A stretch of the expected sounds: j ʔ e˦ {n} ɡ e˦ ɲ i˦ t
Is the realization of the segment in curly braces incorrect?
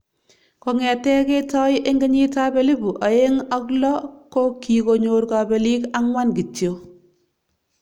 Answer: yes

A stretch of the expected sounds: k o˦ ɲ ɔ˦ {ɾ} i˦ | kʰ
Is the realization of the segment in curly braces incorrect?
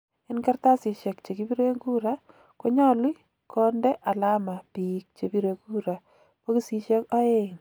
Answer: yes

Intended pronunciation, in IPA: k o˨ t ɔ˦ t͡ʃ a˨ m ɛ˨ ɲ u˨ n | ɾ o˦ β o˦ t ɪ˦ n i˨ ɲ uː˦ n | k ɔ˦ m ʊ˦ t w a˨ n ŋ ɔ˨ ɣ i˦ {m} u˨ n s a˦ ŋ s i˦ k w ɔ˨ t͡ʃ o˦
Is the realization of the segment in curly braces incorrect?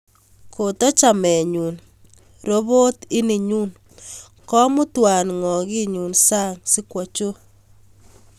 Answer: yes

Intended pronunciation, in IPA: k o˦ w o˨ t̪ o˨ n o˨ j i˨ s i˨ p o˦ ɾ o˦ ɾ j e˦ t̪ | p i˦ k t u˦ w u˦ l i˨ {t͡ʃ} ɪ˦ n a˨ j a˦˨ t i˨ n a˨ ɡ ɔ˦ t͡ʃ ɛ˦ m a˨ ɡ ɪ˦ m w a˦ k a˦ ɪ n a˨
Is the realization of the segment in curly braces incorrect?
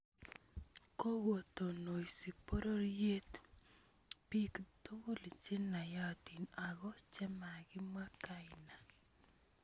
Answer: no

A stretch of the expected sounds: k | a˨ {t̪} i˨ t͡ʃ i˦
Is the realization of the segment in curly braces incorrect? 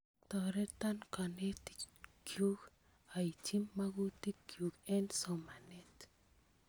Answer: yes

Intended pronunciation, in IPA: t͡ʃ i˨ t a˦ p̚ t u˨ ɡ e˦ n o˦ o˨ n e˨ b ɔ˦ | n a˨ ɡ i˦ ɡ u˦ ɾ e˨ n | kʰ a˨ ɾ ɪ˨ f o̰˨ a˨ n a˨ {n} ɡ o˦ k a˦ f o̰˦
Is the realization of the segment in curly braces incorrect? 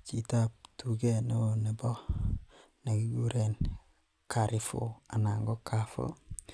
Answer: yes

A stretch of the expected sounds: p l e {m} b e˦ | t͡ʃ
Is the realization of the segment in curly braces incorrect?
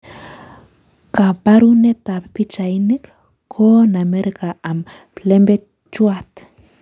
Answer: no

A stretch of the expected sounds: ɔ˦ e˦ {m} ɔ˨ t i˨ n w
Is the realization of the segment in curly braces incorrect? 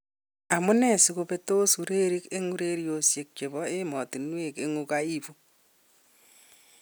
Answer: no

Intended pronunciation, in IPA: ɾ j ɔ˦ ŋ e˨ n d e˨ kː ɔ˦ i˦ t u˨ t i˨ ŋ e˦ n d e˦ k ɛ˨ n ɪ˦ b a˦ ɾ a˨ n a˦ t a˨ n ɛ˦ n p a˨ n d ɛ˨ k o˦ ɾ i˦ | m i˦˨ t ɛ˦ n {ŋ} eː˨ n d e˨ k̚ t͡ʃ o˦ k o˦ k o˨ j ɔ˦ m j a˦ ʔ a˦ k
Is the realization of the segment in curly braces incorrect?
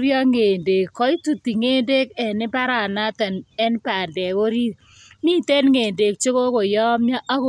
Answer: no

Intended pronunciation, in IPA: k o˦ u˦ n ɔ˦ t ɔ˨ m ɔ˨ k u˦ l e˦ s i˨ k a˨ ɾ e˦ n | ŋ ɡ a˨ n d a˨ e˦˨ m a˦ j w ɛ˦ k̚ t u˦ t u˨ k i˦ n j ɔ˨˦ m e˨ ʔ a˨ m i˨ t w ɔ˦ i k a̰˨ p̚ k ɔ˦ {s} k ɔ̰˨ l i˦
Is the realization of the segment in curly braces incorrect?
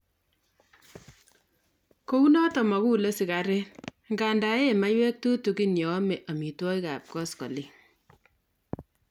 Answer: no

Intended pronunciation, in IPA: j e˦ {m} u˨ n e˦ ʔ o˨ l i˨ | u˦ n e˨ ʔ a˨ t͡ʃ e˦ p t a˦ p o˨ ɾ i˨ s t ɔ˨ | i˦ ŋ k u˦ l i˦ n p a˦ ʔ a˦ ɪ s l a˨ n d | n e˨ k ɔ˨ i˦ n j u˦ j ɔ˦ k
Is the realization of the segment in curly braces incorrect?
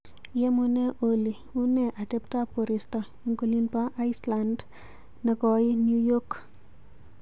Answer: no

